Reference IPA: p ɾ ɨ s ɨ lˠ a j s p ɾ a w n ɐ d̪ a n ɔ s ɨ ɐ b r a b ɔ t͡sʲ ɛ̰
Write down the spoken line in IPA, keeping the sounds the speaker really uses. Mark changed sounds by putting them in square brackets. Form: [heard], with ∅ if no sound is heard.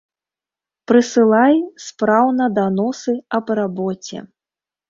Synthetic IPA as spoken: p ɾ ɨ s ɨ lˠ a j s p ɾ a w n ɐ d̪ a n ɔ s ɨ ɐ b r a b ɔ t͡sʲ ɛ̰